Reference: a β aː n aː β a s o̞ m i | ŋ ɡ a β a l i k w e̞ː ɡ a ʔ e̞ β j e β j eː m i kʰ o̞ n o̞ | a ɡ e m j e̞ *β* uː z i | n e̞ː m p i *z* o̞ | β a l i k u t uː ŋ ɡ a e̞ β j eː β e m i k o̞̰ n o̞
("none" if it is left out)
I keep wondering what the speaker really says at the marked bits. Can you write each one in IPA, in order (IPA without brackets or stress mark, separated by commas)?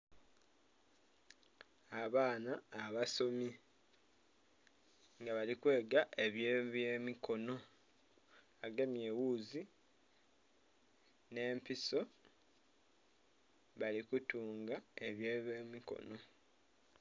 w, s